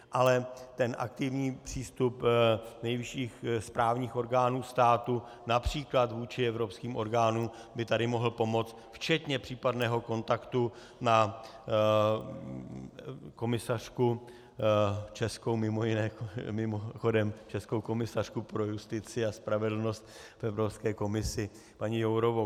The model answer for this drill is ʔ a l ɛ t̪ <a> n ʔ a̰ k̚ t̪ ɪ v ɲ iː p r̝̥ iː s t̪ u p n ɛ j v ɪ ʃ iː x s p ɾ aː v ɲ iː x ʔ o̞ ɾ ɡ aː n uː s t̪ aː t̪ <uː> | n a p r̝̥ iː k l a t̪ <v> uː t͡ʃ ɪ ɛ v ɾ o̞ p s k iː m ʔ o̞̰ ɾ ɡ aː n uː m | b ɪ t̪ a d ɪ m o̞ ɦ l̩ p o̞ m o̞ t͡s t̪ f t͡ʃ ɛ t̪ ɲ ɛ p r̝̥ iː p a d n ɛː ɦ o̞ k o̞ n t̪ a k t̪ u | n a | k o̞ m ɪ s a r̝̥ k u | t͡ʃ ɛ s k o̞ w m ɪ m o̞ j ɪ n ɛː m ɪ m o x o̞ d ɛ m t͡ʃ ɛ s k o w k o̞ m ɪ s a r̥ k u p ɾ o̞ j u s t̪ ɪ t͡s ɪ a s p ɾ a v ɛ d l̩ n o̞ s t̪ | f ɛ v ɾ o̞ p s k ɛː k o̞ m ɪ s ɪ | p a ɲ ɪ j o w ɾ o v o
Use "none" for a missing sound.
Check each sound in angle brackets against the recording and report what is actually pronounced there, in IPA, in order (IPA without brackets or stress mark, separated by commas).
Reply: ɛ, u, v